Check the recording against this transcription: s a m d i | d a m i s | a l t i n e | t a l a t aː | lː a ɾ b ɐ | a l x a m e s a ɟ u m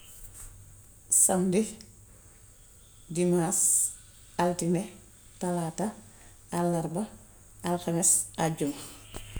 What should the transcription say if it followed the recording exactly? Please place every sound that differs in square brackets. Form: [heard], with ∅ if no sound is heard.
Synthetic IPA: s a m d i | d [i] m [a] s | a l t i n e | t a l a t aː | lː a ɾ b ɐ | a l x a m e s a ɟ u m